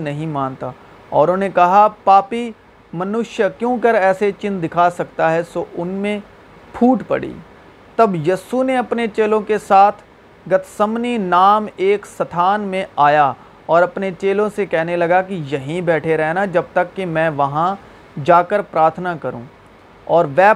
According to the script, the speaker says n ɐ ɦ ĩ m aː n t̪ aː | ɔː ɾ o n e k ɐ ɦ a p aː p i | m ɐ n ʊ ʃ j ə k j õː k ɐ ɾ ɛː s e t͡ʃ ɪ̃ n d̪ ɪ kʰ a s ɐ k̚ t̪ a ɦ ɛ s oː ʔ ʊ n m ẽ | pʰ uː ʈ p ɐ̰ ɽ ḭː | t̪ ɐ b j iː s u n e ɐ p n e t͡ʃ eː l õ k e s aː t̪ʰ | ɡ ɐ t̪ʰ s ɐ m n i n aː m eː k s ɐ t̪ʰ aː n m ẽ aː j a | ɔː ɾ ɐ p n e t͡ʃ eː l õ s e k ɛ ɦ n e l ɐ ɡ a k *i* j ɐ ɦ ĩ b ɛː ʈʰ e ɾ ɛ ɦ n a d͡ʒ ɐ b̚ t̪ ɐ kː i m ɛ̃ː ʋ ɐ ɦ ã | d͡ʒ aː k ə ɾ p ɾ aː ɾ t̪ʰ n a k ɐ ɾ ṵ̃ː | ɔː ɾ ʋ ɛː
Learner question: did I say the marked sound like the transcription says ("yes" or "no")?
yes